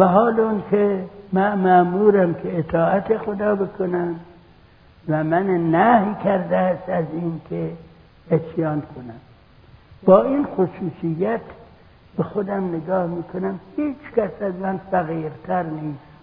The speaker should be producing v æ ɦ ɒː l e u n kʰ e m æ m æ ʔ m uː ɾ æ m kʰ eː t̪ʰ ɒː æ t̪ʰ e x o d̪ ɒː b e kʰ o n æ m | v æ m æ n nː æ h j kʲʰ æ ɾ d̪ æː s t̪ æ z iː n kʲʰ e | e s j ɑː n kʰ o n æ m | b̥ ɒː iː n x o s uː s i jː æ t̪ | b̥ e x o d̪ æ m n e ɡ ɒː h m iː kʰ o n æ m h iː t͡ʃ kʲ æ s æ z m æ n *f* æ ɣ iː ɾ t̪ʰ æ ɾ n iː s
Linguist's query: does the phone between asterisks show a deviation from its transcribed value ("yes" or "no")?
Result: no